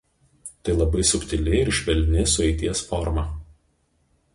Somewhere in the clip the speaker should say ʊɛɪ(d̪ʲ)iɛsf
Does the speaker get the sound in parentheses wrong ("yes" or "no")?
yes